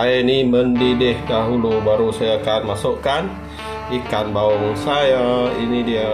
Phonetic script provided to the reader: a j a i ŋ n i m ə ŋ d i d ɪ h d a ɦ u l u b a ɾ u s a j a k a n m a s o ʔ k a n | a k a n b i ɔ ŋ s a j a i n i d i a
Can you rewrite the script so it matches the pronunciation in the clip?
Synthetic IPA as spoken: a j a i n i m ə n d i d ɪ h d a ɦ u l u b a ɾ u s a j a k a n m a s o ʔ k a n | i k a n b a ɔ ŋ s a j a i n i d i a